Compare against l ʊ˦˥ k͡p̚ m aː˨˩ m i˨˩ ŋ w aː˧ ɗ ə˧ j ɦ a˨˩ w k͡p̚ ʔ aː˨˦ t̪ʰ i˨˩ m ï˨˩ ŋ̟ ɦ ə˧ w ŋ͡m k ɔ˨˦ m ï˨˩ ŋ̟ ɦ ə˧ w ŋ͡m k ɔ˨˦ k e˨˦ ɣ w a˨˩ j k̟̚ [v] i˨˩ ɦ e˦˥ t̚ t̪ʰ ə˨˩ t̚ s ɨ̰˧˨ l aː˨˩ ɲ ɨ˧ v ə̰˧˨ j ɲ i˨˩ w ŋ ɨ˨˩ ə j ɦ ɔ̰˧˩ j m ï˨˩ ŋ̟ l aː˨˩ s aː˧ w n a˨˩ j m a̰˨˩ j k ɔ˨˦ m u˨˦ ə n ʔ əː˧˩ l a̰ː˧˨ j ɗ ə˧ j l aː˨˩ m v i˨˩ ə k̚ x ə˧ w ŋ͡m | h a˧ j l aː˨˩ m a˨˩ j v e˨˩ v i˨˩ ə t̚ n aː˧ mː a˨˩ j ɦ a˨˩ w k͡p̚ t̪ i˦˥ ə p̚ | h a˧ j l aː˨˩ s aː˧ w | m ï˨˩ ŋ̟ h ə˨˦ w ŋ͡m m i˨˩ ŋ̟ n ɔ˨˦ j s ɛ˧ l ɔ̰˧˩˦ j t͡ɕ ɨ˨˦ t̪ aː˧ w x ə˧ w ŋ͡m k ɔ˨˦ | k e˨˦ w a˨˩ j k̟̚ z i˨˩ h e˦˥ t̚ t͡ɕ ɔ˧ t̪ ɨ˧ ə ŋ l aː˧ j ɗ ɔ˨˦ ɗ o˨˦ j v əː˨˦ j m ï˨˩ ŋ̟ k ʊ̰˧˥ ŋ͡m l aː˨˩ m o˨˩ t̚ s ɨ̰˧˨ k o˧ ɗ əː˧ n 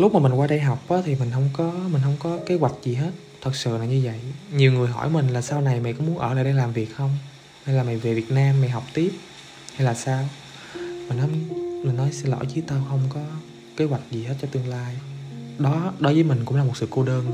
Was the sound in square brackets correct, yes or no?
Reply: no